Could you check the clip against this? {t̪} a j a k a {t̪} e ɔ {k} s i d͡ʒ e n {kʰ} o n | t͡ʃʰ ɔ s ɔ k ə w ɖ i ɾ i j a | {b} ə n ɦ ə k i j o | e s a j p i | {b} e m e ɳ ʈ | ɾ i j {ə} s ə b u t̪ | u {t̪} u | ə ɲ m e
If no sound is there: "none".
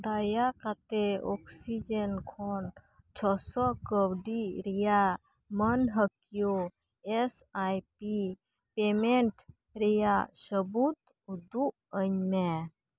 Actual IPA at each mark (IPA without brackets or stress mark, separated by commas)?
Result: d̪, t̪, k, kʰ, m, p, a, d̪